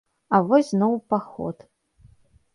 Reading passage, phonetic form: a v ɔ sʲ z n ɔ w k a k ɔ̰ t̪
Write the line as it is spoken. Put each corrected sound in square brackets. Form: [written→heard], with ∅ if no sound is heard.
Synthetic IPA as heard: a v ɔ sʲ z n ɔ w [k→p] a [k→x] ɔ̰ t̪